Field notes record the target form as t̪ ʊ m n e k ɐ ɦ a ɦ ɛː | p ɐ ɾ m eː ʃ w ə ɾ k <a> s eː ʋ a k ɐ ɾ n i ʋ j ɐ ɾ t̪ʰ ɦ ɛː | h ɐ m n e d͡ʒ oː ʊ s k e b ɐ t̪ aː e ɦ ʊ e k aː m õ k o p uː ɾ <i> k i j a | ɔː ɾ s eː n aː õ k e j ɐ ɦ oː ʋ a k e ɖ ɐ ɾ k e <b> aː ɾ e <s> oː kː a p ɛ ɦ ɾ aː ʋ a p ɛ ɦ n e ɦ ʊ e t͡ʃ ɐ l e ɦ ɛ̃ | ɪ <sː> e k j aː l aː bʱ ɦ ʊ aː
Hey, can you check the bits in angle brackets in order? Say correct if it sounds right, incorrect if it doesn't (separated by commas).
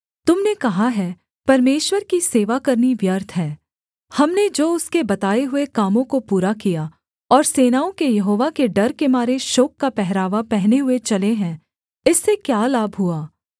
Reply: incorrect, incorrect, incorrect, incorrect, correct